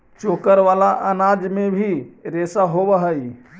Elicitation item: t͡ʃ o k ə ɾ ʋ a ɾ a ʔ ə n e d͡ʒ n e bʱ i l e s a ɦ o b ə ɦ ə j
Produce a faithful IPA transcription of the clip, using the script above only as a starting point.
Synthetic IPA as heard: t͡ʃ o k ə ɾ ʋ a l a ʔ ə n a d͡ʒ m e bʱ i ɾ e s a ɦ o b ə ɦ ə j

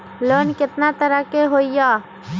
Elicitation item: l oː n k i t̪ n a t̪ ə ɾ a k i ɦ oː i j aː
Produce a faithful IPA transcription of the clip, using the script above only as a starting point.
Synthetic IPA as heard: l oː n k ɪ t̪ n a t̪ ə ɾ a k e ɦ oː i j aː

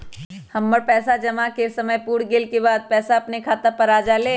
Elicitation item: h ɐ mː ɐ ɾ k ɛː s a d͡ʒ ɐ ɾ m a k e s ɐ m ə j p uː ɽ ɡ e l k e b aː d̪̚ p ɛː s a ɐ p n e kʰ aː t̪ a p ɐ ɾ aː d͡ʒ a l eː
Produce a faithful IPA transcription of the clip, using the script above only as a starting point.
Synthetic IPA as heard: h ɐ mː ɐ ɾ p ɛː s a d͡ʒ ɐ m a k e s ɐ m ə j p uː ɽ ɡ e l k e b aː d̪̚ p ɛː s a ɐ p n e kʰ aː t̪ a p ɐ ɾ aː d͡ʒ a l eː

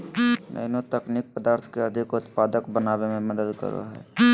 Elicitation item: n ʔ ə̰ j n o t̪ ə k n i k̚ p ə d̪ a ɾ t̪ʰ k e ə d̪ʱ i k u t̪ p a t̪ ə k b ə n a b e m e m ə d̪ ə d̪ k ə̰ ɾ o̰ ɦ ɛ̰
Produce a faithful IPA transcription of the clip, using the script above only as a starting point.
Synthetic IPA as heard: n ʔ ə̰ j n o t̪ ə k n i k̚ p ə d̪ a ɾ t̪ʰ k e ə d̪ʱ i k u t̪ p a d̪ ə k b ə n a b e m e m ə d̪ ə d̪ k ə̰ ɾ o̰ ɦ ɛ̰

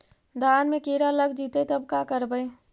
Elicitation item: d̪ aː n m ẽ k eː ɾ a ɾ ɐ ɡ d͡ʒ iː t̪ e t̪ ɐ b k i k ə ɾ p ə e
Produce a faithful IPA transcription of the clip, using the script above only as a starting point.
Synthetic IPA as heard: d̪ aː n m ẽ k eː ɾ a l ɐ ɡ d͡ʒ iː t̪ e t̪ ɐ b k a k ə ɾ b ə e

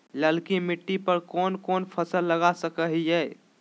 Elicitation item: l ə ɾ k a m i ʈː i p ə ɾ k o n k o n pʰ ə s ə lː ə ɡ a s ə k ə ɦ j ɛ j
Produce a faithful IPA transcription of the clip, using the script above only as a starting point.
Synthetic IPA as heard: l ə l k i m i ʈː i p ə ɾ k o n k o n pʰ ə s ə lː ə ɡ a s ə k ə ɦ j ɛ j

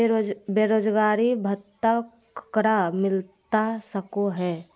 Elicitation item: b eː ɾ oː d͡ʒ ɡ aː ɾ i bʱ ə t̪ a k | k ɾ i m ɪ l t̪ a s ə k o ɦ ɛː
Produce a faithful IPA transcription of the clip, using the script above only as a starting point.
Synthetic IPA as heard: b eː ɾ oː d͡ʒ ɡ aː ɾ i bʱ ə t̪ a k | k ɾ a m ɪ l t̪ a s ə k o ɦ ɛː

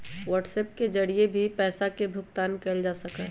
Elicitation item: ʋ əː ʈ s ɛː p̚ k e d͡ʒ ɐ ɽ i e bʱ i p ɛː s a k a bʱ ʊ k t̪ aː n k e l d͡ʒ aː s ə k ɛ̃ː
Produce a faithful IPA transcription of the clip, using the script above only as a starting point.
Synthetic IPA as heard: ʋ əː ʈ s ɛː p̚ k e d͡ʒ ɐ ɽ i e bʱ i p ɛː s a k e bʱ ʊ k t̪ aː n k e l d͡ʒ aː s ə k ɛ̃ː

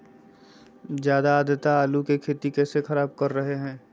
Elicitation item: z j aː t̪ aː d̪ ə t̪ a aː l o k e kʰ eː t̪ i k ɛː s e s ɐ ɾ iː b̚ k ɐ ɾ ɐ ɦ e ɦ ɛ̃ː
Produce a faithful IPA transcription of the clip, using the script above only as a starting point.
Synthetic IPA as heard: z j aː d̪ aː d̪ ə t̪ a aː l u k e kʰ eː t̪ i k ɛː s e x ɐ ɾ aː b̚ k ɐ ɾː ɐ ɦ e ɦ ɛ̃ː

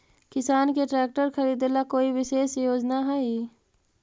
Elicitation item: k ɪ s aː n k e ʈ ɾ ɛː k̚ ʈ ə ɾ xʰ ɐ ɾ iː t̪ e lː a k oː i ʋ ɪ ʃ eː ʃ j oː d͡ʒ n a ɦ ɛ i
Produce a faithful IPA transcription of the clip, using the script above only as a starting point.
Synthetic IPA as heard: k ɪ s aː n k e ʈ ɾ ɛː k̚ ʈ ə ɾ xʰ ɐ ɾ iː d̪ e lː a k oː i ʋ ɪ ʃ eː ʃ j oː d͡ʒ n a ɦ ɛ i

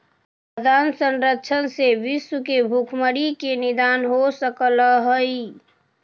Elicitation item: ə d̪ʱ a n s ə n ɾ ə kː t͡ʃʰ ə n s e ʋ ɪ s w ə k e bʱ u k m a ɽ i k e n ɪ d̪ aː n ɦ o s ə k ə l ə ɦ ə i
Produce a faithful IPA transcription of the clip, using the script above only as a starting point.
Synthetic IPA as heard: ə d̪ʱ a n s ə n ɾ ə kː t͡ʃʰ ə n s e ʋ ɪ s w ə k e bʱ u kʰ m ə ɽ i k e n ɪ d̪ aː n ɦ o s ə k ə l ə ɦ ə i

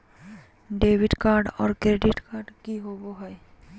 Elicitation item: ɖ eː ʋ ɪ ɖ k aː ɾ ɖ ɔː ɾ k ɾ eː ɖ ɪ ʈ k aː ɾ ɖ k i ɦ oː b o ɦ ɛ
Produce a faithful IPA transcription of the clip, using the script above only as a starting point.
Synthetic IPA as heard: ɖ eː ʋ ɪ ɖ k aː ɾ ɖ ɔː ɾ k ɾ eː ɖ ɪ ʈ k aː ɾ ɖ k i ɦ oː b o ɦ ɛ

